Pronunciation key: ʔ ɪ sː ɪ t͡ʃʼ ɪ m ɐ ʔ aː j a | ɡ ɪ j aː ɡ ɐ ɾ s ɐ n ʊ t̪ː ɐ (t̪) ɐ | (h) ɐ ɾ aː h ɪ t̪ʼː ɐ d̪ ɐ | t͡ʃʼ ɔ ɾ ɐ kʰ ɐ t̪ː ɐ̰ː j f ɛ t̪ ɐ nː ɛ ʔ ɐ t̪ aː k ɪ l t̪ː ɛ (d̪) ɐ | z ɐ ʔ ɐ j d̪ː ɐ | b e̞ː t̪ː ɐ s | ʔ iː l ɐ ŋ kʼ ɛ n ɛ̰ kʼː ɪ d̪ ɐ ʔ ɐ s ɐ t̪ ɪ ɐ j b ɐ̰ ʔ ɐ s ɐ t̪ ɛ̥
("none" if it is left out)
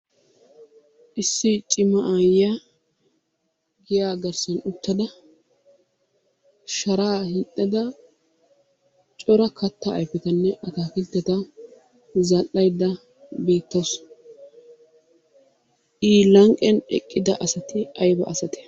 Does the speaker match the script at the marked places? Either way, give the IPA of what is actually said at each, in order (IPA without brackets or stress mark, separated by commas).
d̪, ʃ, t̪